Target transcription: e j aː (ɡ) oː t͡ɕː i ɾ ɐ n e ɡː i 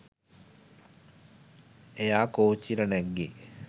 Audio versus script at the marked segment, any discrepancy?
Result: yes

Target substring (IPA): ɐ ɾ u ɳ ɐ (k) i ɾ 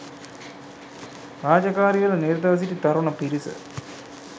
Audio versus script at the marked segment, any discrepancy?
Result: yes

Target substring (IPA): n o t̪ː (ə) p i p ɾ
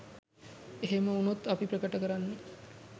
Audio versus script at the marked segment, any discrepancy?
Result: yes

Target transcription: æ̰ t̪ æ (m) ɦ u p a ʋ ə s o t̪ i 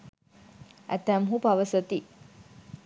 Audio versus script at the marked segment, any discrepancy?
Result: no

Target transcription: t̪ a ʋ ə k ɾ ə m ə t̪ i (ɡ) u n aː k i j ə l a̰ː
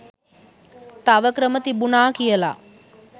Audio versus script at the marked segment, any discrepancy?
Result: yes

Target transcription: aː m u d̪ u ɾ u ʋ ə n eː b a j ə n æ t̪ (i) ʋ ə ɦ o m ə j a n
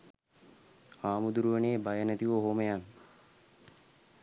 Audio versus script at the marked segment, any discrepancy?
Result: no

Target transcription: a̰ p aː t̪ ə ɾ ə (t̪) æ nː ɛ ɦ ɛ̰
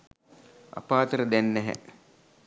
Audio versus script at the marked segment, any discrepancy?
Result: yes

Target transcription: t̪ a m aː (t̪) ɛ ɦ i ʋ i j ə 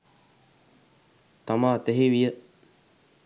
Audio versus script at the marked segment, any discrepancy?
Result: no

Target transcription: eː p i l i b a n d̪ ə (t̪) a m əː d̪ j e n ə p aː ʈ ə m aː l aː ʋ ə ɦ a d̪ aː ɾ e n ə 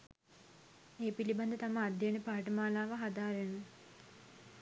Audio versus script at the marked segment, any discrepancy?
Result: no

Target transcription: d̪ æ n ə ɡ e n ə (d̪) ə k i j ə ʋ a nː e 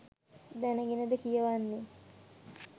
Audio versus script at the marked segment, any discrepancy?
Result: no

